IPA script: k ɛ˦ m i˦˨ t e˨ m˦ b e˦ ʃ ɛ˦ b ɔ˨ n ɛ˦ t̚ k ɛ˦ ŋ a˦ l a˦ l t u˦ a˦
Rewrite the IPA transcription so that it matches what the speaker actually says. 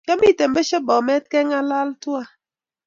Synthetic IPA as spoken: k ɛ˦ m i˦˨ t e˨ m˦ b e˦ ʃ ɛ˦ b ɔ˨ m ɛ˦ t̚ k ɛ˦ ŋ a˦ l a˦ l t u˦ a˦

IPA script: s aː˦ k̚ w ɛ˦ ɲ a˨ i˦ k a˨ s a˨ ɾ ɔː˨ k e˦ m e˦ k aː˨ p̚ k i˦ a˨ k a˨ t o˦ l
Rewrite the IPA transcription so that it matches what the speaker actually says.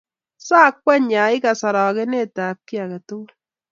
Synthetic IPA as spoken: s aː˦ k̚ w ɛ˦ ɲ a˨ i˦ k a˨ s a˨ ɾ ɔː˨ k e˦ n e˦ t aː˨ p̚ k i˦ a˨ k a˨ t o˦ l

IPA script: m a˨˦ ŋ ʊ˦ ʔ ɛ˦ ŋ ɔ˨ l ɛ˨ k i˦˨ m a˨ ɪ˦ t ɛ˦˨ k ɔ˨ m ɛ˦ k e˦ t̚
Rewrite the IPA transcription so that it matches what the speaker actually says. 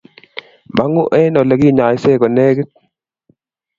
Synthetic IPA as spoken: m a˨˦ ŋ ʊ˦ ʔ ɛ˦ n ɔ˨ l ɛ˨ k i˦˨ ɲ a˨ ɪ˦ s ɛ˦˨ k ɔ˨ n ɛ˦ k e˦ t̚

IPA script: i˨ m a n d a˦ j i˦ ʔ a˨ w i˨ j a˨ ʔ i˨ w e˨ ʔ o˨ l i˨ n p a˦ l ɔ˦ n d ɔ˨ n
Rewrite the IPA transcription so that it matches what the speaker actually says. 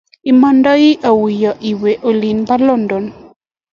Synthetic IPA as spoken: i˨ m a n d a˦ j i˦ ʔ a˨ w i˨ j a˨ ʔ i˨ w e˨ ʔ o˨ l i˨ n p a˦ l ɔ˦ n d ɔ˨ n

